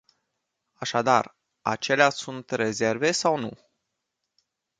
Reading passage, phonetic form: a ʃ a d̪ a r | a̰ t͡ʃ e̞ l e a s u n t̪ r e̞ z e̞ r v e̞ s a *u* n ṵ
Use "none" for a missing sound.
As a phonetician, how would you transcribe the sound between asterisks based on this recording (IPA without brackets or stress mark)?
w